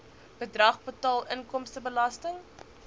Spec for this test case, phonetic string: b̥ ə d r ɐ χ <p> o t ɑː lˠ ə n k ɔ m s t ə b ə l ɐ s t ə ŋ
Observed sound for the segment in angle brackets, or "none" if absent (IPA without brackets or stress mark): p